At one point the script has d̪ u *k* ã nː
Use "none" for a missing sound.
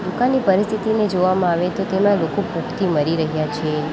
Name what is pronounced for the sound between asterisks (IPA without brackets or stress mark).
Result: k